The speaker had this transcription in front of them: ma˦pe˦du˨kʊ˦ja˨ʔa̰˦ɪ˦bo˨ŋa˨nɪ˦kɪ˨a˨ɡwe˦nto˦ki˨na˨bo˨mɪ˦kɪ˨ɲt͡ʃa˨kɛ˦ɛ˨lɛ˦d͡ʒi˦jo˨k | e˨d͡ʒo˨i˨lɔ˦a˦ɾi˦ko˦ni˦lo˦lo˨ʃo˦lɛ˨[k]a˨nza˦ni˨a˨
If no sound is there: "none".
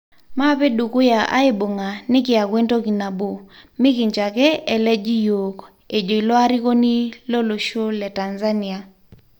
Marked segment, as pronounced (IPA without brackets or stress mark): t